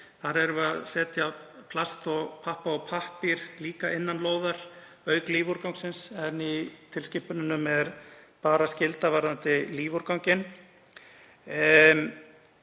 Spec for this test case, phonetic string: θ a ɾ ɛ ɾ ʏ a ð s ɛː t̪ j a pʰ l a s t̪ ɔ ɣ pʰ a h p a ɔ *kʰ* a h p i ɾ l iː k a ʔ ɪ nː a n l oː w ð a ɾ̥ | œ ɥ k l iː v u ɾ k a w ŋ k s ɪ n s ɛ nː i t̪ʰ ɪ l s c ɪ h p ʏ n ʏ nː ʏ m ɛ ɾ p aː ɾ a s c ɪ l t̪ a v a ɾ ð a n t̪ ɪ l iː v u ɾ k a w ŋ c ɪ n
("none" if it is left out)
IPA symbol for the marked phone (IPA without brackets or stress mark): pʰ